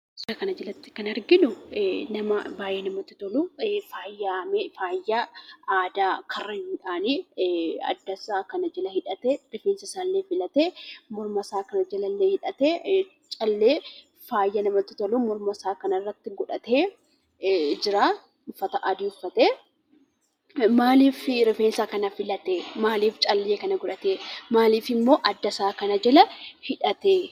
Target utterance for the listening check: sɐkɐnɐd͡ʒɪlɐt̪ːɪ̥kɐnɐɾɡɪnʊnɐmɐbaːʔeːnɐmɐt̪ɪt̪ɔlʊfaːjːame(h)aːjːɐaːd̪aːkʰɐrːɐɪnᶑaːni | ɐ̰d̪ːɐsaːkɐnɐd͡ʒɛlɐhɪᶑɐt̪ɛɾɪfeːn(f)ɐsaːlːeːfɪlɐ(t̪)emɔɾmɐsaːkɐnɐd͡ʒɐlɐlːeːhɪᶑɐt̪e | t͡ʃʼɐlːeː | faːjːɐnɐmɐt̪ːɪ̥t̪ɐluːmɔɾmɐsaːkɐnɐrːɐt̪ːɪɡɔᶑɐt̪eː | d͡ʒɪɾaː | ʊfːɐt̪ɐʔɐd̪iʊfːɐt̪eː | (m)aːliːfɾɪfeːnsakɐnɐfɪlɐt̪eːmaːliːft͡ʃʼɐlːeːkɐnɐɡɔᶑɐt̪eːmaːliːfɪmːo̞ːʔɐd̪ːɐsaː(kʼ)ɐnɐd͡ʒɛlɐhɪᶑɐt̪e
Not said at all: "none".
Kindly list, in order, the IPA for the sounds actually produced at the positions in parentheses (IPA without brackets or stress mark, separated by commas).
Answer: f, s, t̪, m, k